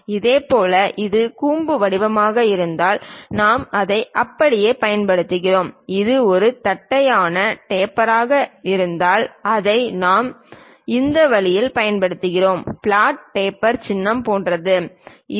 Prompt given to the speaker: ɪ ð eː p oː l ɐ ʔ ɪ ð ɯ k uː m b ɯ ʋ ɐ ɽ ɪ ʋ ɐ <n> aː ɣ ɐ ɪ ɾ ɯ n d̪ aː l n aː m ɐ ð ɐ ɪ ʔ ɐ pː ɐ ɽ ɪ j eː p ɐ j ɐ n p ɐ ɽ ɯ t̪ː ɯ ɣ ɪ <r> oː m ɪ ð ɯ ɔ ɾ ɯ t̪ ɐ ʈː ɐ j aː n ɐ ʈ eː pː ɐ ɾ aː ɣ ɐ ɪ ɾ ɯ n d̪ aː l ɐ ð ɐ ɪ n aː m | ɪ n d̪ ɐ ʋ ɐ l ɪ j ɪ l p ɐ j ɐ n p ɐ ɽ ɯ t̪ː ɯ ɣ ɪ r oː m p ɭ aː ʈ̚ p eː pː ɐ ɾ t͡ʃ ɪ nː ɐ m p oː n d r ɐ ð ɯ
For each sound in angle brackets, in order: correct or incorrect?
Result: incorrect, correct

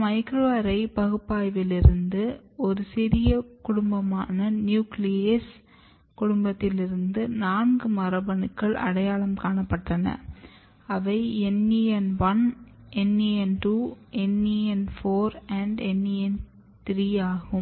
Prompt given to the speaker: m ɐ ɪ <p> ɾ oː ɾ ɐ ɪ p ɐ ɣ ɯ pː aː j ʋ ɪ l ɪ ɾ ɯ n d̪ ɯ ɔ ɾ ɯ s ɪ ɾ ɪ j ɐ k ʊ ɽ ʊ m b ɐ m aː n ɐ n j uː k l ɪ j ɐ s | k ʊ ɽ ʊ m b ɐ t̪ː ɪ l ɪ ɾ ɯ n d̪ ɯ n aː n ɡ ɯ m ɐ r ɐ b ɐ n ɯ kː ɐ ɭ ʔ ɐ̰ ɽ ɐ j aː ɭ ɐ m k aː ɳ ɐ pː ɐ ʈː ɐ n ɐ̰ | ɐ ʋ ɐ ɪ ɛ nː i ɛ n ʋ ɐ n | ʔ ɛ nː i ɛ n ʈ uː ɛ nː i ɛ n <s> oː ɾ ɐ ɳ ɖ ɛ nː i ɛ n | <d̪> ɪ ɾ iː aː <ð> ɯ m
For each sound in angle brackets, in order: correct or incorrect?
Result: incorrect, incorrect, incorrect, incorrect

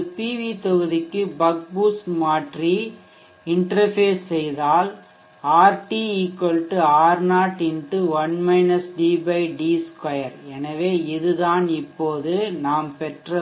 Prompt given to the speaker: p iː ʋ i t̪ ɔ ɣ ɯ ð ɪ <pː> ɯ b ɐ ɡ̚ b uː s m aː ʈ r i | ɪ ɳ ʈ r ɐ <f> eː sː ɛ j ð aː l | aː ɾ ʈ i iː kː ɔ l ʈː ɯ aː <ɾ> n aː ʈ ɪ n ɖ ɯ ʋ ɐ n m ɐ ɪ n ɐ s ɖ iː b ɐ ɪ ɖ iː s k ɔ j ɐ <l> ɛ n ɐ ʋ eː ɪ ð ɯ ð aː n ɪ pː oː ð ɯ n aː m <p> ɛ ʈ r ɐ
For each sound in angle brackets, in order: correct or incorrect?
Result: incorrect, correct, correct, incorrect, correct

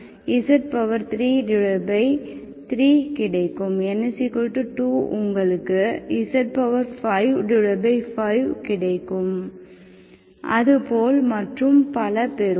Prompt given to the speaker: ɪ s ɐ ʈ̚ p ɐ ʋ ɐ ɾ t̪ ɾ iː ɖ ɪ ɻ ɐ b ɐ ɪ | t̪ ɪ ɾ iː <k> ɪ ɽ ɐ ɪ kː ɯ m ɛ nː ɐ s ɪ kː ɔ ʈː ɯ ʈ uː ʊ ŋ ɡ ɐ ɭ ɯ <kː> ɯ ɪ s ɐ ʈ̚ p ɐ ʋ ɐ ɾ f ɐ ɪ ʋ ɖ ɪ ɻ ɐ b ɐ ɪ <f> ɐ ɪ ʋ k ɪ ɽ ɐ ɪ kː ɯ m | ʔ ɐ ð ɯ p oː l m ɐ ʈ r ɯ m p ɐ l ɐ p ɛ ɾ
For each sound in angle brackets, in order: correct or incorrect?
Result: correct, correct, correct

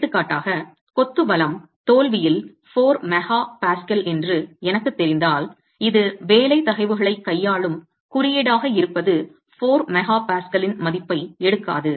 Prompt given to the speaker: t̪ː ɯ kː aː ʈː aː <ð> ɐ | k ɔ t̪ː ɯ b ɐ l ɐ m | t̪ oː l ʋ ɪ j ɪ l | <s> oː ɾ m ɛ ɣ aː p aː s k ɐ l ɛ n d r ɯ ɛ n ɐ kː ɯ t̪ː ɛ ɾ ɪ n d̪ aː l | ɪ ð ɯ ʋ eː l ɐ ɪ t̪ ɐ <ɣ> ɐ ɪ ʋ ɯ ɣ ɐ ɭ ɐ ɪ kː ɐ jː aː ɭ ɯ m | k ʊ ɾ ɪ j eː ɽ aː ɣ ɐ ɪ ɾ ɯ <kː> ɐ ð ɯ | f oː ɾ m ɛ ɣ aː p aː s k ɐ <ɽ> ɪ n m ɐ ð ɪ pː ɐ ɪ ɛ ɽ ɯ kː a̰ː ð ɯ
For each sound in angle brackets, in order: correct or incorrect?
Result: incorrect, incorrect, correct, incorrect, incorrect

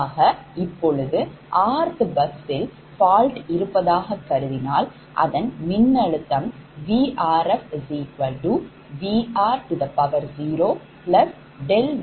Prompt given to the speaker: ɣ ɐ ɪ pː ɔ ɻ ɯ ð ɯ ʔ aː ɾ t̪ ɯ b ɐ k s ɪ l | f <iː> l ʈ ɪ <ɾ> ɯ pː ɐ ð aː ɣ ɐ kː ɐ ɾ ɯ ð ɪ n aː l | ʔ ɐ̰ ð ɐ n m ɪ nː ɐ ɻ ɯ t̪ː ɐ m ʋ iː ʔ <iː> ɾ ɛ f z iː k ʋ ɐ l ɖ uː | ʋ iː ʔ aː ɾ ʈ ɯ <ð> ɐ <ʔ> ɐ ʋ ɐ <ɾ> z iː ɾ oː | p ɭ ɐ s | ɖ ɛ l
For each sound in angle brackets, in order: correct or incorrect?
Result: incorrect, correct, incorrect, correct, incorrect, correct

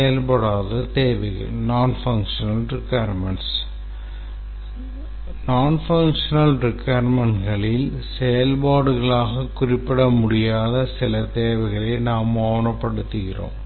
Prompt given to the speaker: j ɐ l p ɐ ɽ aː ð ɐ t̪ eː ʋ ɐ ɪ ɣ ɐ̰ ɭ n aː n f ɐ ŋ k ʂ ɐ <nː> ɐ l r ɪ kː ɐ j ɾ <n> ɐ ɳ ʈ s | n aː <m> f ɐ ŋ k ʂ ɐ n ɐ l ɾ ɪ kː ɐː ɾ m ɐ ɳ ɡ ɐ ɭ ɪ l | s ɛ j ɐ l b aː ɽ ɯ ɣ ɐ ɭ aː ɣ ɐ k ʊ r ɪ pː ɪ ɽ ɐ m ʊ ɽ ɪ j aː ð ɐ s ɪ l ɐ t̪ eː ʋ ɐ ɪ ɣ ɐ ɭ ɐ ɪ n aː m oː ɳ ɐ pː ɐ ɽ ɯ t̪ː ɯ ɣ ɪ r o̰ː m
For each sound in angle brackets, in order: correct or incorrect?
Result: incorrect, incorrect, incorrect

